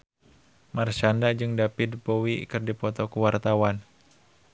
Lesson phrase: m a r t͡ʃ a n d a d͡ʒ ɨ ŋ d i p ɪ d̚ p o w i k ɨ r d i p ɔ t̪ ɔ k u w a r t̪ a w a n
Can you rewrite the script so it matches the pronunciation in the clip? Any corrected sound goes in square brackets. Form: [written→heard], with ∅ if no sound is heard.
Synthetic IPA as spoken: m a r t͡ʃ a n d a d͡ʒ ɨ ŋ d [i→a] p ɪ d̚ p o w i k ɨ r d i p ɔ t̪ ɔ k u w a r t̪ a w a n